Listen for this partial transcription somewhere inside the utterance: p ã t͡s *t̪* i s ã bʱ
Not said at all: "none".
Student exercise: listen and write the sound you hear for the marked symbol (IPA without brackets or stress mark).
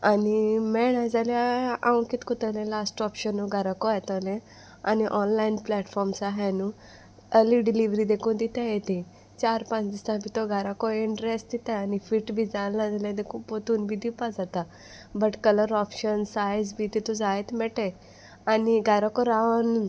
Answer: d̪